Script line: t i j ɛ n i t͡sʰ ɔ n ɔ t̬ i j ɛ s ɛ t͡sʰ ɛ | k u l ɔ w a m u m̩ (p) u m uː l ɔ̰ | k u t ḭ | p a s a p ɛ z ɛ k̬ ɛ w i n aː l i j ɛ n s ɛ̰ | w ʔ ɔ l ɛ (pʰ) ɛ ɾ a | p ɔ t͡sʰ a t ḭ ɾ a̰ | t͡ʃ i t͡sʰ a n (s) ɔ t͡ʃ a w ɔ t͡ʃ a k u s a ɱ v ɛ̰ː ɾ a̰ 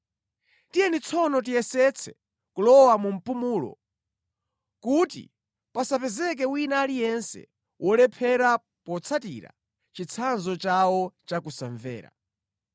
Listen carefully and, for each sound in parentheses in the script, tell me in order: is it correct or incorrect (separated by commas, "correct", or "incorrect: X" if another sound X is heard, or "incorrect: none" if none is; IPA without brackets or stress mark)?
correct, correct, incorrect: z